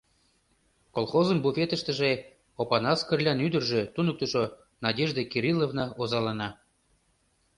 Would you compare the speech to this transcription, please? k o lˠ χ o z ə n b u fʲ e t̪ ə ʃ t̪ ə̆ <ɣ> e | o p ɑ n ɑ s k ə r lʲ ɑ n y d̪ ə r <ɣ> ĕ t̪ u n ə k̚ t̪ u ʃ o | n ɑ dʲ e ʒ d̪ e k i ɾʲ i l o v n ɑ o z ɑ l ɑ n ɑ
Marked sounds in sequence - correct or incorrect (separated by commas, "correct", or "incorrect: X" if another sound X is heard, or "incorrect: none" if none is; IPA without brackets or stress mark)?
incorrect: ʒ, incorrect: ʒ